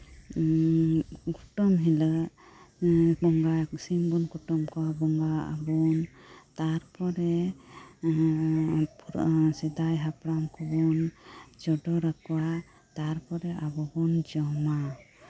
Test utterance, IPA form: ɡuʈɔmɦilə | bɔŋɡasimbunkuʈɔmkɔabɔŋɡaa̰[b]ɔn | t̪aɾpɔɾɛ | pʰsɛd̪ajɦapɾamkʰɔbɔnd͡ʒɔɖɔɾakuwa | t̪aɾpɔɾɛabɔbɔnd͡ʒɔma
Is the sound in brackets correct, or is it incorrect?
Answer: correct